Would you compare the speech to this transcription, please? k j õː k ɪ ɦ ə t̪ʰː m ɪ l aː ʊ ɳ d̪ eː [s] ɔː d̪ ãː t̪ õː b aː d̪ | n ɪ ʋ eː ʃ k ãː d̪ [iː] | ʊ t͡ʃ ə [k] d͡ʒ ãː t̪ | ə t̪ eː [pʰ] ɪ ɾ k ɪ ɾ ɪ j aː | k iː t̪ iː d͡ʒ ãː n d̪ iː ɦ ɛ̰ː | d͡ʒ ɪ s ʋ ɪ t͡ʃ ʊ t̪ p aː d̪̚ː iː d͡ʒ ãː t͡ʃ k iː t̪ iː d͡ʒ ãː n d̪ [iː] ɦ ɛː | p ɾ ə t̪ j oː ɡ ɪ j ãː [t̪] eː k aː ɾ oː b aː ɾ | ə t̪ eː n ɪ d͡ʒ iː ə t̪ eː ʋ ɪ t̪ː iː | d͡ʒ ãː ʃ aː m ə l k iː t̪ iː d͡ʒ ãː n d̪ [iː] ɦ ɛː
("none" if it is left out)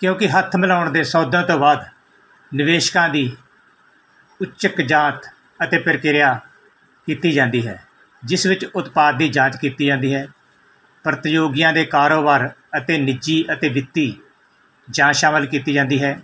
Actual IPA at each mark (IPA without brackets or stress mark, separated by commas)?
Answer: s, iː, k, p, iː, d̪, iː